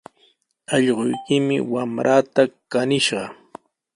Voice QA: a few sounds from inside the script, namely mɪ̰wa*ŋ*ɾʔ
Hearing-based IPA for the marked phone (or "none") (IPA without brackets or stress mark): m